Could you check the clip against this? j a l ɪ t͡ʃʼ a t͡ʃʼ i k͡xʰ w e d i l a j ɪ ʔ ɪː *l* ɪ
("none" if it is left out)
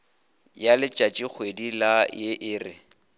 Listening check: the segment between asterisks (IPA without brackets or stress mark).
r